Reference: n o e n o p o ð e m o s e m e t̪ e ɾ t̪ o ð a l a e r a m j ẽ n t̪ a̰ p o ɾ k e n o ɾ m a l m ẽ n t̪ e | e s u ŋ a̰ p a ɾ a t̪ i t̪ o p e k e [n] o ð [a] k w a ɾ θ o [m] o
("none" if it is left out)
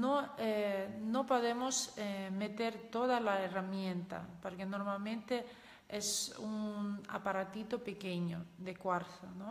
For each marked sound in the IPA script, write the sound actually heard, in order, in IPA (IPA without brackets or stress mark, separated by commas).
ɲ, e, n